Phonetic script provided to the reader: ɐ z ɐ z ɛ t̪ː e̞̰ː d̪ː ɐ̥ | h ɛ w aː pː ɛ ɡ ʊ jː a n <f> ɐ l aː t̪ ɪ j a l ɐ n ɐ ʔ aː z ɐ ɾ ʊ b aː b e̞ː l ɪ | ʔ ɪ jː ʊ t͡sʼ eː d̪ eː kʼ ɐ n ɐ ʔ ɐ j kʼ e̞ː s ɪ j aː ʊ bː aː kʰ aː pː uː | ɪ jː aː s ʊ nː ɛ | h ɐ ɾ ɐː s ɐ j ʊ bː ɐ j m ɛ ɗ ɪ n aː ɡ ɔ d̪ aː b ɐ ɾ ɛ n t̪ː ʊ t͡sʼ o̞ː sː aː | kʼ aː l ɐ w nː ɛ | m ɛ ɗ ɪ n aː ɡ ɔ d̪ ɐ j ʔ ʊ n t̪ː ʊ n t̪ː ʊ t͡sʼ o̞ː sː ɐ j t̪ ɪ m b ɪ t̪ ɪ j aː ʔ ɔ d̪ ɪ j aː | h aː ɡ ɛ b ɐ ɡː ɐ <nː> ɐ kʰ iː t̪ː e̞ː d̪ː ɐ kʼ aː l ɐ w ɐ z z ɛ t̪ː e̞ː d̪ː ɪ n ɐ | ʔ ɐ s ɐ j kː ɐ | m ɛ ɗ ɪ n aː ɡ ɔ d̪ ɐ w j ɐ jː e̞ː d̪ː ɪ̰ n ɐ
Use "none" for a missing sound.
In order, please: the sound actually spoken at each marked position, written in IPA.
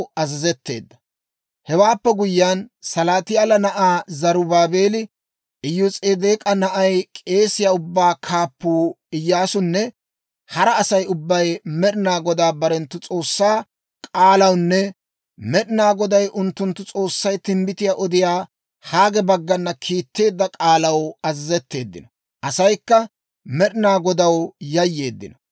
s, nː

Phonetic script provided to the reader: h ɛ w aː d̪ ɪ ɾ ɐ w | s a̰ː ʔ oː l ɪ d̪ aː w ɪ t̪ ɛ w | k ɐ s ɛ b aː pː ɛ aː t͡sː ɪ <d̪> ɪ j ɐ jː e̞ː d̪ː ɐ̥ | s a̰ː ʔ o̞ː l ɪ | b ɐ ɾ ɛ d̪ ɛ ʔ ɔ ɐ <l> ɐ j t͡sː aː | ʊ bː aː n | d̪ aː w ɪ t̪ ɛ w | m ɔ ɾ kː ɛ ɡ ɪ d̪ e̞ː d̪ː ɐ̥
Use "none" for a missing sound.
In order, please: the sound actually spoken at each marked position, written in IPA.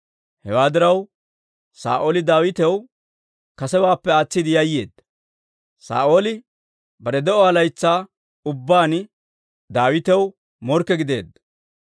d̪, l

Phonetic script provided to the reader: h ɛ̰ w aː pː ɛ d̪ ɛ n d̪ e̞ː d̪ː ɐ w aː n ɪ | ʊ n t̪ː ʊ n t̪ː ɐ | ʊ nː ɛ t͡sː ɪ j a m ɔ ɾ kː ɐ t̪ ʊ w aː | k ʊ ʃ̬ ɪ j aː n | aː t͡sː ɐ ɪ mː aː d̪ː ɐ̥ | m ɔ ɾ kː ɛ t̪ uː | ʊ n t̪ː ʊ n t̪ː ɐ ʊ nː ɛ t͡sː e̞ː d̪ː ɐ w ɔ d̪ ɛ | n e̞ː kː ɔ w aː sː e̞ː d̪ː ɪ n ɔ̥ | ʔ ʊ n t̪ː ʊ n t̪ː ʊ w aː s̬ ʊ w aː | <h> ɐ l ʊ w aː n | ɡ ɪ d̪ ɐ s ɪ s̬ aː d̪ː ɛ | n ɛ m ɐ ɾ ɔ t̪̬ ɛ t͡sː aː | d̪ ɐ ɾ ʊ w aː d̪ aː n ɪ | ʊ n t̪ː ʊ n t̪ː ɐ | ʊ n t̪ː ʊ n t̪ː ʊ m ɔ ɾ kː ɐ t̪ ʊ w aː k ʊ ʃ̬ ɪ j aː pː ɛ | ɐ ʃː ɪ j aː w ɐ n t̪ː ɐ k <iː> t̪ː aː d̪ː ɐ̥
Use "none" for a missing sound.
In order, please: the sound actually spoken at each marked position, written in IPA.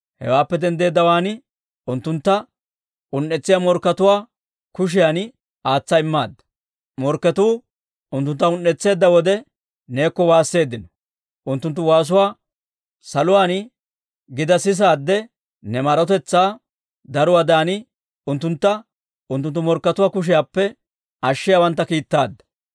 s, iː

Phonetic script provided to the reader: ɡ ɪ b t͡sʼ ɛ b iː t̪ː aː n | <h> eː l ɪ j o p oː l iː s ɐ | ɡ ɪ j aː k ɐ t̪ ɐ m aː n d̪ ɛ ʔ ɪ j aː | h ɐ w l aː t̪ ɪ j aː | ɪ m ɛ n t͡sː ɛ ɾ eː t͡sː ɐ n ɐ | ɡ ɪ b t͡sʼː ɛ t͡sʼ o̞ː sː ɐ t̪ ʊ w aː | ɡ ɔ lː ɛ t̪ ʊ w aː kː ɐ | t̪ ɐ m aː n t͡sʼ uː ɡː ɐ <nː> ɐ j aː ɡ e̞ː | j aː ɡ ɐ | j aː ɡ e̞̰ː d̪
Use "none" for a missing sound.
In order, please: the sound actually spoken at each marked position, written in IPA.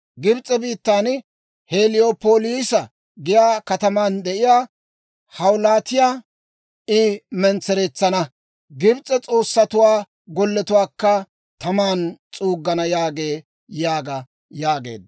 h, n

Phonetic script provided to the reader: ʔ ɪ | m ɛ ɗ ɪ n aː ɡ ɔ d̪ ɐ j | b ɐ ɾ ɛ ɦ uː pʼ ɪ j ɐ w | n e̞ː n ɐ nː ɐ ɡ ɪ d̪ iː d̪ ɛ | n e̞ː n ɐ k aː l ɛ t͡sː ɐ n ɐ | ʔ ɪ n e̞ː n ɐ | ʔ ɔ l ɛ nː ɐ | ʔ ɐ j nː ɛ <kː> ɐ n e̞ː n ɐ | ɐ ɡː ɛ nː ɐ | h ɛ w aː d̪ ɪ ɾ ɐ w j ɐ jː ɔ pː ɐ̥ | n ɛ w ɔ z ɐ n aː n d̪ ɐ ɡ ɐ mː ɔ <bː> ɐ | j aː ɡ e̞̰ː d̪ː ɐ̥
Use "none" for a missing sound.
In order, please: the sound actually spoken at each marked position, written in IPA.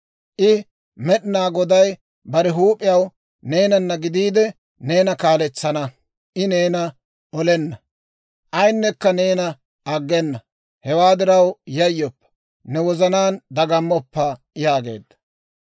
kː, pː

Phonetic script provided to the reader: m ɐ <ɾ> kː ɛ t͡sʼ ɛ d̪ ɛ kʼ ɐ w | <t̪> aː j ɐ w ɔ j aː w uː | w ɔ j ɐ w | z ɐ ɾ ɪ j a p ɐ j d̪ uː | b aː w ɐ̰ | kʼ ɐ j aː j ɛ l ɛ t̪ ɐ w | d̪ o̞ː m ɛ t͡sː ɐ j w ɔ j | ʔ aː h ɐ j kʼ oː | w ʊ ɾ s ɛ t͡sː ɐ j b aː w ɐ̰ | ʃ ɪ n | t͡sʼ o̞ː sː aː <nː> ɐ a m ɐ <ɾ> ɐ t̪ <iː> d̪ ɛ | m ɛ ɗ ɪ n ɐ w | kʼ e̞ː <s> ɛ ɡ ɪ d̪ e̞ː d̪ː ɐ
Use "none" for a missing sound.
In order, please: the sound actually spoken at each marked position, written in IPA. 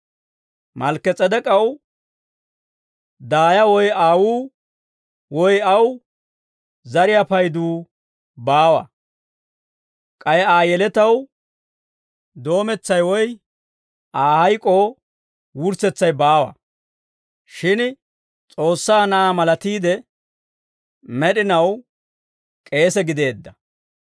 l, d̪, n, l, iː, s

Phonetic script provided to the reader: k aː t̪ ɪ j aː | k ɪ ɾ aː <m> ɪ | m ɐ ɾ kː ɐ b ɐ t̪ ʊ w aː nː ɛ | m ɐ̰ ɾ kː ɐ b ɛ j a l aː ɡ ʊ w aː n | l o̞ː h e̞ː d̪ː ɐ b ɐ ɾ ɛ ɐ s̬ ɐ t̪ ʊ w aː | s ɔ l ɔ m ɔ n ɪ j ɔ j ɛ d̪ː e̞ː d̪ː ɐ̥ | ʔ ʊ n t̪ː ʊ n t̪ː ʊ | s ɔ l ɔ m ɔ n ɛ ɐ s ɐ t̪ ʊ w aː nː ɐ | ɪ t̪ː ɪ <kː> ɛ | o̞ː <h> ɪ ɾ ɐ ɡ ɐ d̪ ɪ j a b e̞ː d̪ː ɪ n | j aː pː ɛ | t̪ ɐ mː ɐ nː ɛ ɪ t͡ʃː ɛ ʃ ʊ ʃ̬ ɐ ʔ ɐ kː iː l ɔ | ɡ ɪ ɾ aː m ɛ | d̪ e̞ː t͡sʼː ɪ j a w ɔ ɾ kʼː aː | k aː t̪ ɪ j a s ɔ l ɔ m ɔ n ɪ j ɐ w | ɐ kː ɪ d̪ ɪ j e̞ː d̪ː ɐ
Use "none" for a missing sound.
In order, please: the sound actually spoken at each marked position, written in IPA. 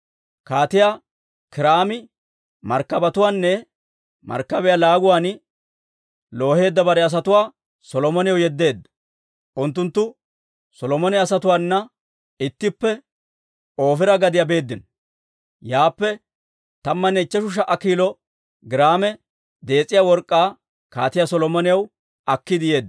m, pː, f

